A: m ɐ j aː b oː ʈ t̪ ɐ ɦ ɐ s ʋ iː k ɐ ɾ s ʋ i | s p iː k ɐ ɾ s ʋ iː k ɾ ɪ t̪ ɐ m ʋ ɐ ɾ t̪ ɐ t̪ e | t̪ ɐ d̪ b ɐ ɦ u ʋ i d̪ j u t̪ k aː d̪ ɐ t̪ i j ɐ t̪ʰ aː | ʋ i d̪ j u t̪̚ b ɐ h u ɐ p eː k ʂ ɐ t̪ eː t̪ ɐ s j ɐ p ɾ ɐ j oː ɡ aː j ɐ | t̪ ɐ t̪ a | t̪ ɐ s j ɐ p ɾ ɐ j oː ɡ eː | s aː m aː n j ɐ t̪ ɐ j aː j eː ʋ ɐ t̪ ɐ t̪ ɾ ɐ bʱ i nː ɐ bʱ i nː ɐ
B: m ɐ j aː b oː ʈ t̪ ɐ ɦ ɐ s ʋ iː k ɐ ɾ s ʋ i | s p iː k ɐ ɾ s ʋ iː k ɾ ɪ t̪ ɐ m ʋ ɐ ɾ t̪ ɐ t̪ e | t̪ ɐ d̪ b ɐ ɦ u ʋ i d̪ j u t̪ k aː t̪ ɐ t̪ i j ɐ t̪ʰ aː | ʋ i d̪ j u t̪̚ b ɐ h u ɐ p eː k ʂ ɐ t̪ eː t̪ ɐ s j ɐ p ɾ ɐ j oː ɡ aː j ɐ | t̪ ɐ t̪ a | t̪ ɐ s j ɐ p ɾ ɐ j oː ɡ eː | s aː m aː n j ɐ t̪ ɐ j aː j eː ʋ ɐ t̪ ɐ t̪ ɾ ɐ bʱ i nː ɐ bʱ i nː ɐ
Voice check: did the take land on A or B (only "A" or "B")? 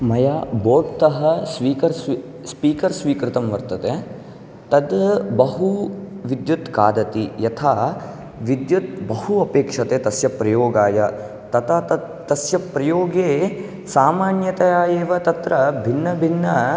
A